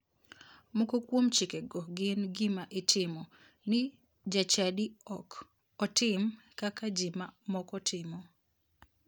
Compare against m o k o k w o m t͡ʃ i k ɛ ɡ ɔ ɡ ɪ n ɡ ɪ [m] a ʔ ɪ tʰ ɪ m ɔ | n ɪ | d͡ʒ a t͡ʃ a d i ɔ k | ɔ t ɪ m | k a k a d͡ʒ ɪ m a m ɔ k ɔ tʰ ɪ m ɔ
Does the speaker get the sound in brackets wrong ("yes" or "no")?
no